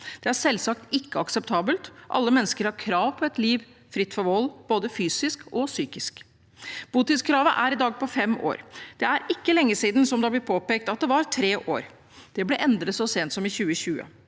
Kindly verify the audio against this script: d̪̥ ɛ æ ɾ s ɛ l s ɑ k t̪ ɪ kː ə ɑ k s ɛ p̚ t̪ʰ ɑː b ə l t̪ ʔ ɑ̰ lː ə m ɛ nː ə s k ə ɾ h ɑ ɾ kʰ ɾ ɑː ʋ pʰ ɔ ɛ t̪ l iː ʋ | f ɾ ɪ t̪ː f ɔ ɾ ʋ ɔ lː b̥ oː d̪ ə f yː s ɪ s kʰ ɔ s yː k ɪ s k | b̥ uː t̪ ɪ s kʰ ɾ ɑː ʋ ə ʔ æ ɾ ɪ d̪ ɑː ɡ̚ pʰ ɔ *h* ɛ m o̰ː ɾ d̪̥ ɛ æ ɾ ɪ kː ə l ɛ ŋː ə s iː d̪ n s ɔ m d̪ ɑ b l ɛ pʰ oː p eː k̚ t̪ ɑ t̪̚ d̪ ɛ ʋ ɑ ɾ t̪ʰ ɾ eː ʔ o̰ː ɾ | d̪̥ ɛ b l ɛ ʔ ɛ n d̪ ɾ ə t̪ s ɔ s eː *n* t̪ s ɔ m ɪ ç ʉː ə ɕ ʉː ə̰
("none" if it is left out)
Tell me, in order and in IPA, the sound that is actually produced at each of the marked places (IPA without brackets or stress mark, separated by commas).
f, n